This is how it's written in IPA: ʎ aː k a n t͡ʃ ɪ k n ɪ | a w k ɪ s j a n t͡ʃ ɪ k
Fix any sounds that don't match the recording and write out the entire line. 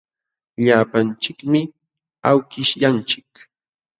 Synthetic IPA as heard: ʎ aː p a n t͡ʃ ɪ k m ɪ | a w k ɪ ʃ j a n t͡ʃ ɪ k